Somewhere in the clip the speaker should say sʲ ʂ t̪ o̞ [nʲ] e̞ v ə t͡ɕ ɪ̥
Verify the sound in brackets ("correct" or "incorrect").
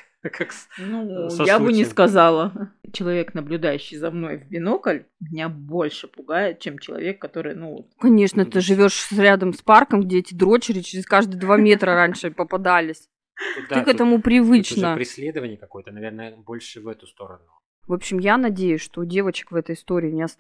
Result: incorrect